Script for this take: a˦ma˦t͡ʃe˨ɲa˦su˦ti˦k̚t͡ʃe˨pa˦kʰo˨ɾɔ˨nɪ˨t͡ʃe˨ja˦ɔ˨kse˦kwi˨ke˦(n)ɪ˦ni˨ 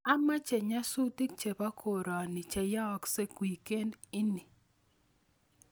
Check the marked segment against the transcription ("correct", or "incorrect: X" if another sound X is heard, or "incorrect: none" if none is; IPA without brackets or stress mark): correct